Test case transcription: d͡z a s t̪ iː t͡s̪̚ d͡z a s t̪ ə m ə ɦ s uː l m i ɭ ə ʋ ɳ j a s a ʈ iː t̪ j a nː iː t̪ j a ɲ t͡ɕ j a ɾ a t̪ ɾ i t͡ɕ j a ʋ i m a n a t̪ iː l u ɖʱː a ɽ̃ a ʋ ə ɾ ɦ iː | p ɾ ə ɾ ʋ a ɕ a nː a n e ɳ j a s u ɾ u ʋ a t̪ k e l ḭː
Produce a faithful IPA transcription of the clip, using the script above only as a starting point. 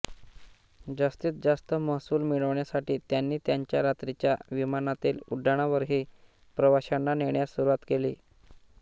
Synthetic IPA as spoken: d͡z a s t̪ iː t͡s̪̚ d͡z a s t̪ ə m ə ɦ s uː l m i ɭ ə ʋ ɳ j a s a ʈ iː t̪ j a nː iː t̪ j a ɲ t͡ɕ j a ɾ a t̪ ɾ i t͡ɕ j a ʋ i m a n a t̪ iː l u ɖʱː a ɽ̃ a ʋ ə ɾ ɦ iː | p ɾ ə ʋ a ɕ a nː a n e ɳ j a s u ɾ u ʋ a t̪ k e l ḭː